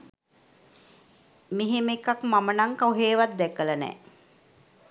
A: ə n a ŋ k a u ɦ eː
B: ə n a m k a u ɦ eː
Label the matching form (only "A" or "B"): A